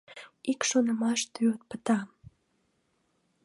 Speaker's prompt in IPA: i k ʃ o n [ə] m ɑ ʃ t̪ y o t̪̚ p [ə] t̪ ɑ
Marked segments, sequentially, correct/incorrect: correct, correct

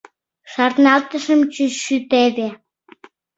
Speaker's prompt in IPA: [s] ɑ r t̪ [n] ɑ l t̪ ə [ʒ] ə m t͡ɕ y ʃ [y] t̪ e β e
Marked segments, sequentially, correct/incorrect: incorrect: ʃ, correct, incorrect: ʃ, correct

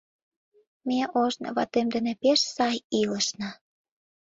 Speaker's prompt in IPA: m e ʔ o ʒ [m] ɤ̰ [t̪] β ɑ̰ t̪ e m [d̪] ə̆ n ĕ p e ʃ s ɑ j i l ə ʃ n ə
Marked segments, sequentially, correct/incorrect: incorrect: n, incorrect: none, correct

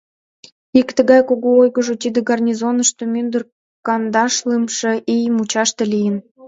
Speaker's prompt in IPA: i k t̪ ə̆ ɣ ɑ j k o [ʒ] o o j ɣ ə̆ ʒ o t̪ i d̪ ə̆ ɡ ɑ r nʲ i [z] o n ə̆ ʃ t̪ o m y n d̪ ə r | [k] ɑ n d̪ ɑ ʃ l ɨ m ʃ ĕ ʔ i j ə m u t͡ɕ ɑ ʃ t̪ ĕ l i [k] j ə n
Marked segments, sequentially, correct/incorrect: incorrect: ɣ, correct, correct, incorrect: none

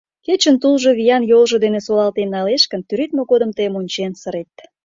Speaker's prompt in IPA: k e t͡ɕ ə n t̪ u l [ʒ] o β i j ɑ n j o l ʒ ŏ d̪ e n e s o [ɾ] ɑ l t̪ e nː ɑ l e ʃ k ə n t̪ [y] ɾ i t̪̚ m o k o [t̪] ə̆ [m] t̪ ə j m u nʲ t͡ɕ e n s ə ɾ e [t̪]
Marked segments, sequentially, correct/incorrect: correct, incorrect: l, correct, incorrect: d̪, correct, correct

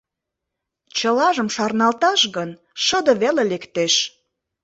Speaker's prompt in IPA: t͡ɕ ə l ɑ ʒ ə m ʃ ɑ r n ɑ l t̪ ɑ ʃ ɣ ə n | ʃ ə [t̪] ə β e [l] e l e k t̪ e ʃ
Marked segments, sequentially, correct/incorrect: incorrect: d̪, correct

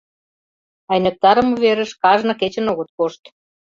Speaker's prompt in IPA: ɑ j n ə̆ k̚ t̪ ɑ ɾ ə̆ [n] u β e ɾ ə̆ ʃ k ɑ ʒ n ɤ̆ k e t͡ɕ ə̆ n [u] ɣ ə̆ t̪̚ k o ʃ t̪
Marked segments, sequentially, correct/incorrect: incorrect: m, incorrect: o

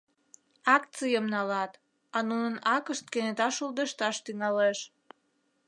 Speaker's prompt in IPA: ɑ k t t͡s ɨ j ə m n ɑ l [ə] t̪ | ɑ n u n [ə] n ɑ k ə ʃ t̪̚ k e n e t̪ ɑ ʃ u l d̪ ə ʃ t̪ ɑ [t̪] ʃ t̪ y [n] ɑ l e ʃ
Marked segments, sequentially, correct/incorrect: incorrect: ɑ, correct, incorrect: none, incorrect: ŋ

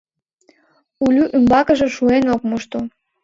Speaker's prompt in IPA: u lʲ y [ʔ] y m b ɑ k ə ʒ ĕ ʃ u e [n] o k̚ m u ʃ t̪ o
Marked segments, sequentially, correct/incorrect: correct, correct

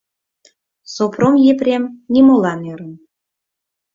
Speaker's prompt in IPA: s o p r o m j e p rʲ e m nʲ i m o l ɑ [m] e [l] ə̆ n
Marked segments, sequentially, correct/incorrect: incorrect: n, incorrect: ɾ

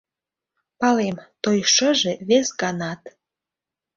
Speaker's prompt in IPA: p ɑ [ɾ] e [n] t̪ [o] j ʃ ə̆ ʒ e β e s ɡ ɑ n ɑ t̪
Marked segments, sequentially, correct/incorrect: incorrect: l, incorrect: m, correct

